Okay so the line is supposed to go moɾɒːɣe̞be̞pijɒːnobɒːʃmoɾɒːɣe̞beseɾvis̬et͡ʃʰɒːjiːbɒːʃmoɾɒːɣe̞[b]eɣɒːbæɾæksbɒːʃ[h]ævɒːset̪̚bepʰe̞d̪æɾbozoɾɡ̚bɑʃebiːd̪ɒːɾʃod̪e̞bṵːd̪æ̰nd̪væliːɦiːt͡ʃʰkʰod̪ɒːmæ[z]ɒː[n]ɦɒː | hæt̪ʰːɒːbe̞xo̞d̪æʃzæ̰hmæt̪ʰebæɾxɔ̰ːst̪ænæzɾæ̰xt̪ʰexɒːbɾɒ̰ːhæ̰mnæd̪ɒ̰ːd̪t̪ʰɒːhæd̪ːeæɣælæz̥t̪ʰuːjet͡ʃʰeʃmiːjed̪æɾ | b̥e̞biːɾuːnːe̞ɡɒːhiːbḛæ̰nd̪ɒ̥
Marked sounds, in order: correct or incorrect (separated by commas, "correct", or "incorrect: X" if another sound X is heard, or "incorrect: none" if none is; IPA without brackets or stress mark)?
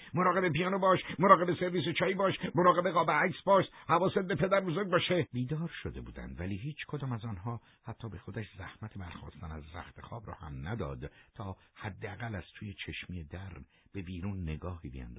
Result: correct, correct, correct, correct